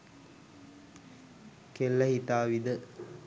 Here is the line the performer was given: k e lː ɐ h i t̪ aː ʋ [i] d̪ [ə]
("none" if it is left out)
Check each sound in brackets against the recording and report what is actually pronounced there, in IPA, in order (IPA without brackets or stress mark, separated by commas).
i, ə